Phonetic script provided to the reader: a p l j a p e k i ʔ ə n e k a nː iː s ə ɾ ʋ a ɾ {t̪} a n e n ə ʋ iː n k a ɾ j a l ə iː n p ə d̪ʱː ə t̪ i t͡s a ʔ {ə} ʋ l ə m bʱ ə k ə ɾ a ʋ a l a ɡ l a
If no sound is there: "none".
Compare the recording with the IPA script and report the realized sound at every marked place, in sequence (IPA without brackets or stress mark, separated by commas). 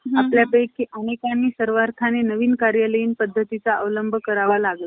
t̪ʰ, ə